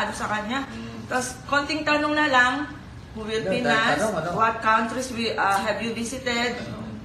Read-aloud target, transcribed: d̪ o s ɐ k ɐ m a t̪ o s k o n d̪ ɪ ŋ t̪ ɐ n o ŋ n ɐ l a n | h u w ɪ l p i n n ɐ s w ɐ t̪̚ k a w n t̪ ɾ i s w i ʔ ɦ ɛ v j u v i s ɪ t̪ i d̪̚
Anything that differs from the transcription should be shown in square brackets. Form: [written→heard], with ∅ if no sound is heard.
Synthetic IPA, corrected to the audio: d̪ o s ɐ k ɐ [m→ɲ] a t̪ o s k o n [d̪→t̪] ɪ ŋ t̪ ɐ n o ŋ n ɐ l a [n→ŋ] | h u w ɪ l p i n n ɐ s w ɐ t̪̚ k a w n t̪ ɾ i s w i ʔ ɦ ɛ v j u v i s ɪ t̪ [i→ɛ] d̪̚